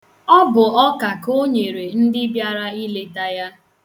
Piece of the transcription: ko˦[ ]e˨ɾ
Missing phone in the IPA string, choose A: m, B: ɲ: B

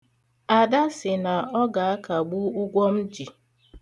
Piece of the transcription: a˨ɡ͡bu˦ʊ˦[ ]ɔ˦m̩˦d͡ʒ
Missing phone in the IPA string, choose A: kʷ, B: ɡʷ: B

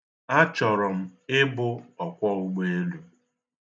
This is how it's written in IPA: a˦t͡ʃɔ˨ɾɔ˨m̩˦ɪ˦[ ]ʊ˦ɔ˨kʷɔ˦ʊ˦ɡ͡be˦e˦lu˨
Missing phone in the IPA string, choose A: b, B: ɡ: A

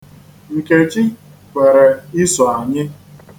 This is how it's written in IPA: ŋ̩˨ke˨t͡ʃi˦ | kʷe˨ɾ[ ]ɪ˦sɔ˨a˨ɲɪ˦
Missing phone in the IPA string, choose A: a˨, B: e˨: B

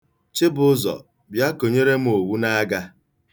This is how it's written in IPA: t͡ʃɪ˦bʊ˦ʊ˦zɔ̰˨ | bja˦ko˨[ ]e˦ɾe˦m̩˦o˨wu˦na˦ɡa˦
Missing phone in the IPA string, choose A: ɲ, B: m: A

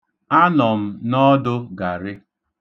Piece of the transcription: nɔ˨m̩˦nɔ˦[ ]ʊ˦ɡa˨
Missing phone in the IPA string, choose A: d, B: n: A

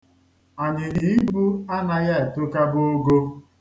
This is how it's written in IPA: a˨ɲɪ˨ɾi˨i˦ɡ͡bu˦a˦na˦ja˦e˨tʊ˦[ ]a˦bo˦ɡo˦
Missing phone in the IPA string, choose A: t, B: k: B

